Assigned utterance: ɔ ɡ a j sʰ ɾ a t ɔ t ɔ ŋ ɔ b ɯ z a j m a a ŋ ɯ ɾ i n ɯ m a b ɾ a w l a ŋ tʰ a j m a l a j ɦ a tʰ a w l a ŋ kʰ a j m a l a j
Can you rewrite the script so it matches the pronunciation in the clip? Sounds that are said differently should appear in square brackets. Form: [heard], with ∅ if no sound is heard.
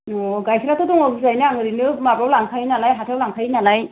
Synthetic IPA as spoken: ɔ ɡ a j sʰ ɾ a t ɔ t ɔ ŋ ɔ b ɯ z a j [n] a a ŋ ɯ ɾ i n ɯ m a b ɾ a w l a ŋ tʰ a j [n] a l a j ɦ a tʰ a w l a ŋ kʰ a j [n] a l a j